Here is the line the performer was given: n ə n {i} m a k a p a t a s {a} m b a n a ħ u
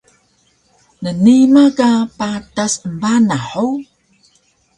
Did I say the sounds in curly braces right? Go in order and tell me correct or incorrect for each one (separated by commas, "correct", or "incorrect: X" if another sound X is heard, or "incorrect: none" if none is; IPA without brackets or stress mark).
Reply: correct, incorrect: ə